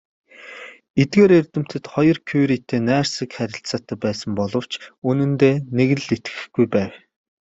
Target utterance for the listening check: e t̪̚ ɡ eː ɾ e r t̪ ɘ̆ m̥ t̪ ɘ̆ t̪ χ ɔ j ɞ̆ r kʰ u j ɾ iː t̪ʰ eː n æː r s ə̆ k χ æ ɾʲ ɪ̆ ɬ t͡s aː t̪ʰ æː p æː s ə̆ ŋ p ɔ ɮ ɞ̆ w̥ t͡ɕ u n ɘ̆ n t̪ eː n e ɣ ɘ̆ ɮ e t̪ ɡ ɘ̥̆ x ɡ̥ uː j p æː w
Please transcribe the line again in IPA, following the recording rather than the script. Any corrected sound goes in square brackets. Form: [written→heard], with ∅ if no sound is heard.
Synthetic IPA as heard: e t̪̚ ɡ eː ɾ e r t̪ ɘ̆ m̥ t̪ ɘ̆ t̪ χ ɔ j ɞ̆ r kʰ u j ɾ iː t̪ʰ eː n æː r s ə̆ k χ æ ɾʲ ɪ̆ ɬ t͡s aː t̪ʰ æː p æː s ə̆ [ŋ→m] p ɔ ɮ ɞ̆ w̥ t͡ɕ u n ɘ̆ n t̪ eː n e ɣ ɘ̆ ɮ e t̪ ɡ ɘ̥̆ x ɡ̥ [uː→u] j p æː w